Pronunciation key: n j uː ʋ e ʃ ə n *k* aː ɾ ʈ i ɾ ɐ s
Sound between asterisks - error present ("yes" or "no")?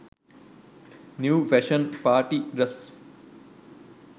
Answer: yes